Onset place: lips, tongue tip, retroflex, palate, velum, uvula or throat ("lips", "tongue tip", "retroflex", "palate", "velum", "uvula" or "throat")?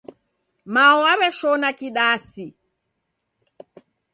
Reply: lips